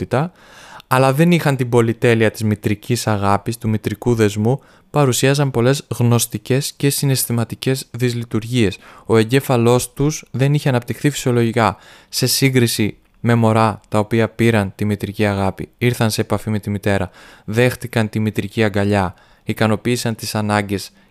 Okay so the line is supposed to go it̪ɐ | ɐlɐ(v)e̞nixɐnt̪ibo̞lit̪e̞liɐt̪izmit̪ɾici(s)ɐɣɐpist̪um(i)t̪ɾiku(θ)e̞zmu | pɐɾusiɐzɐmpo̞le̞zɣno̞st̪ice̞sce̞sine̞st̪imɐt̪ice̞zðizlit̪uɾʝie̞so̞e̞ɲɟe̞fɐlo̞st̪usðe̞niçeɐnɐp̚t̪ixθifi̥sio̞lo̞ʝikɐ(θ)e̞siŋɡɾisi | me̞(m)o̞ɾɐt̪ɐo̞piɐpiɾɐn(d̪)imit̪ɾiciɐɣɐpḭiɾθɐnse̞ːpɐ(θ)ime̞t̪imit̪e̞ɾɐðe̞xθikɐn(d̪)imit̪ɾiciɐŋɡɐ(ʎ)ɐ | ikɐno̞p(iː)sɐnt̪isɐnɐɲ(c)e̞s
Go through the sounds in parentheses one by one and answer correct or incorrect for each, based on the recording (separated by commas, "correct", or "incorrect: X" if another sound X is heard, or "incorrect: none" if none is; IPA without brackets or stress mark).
incorrect: ð, correct, correct, incorrect: ð, incorrect: s, correct, incorrect: t̪, incorrect: f, incorrect: t̪, correct, correct, incorrect: ɟ